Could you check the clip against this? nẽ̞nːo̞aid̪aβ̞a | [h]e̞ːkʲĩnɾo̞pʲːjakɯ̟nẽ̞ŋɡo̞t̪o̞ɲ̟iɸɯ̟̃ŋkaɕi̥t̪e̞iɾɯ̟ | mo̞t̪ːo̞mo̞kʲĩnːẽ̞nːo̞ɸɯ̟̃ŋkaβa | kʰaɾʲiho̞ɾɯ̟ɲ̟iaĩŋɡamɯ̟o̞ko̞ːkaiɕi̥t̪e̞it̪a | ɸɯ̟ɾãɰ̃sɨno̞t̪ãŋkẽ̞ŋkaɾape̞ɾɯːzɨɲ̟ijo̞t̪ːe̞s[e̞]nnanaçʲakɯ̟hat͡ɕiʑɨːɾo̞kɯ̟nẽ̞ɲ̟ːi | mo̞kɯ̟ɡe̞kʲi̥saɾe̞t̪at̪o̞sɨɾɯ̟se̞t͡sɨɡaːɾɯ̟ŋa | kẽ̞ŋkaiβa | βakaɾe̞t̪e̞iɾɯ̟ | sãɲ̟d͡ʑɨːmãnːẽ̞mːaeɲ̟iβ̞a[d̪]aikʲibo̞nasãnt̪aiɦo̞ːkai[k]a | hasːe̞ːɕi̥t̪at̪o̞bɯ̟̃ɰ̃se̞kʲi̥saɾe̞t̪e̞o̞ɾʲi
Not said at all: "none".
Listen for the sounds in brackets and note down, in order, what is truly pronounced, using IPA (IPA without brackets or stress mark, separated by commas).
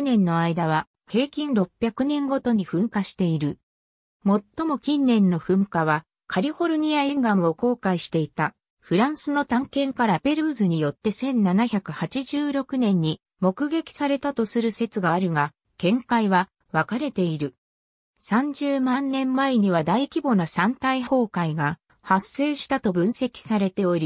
h, ẽ̞, d̪, ɡ